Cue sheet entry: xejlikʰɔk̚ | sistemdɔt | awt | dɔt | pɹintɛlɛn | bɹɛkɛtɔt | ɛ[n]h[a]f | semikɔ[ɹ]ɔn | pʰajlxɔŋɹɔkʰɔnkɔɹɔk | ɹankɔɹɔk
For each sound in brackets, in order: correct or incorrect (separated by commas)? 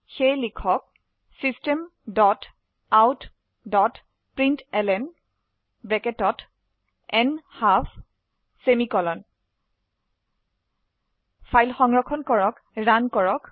correct, correct, incorrect